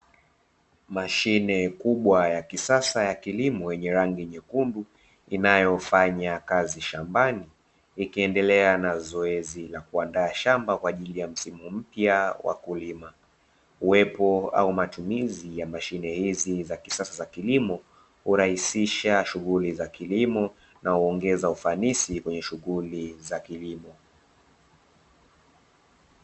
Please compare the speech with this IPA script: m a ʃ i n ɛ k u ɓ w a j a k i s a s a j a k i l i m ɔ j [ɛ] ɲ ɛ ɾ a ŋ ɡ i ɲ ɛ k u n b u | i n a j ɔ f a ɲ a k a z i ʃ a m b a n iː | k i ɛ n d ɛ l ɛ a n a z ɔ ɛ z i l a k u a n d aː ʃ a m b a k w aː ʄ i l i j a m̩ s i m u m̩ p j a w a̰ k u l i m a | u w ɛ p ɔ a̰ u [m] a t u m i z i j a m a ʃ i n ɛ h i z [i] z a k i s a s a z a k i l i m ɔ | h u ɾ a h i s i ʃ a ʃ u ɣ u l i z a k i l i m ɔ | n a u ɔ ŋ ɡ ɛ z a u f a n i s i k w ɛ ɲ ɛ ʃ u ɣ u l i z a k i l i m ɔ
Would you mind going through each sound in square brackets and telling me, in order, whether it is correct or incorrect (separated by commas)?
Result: correct, correct, correct